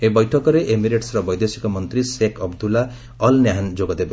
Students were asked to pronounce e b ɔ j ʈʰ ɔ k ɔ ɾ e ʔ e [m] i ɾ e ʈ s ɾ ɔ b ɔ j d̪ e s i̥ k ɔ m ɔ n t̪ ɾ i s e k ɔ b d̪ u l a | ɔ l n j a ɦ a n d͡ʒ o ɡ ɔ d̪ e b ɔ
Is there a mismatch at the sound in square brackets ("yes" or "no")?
no